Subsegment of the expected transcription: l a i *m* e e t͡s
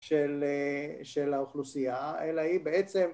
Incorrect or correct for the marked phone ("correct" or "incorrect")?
incorrect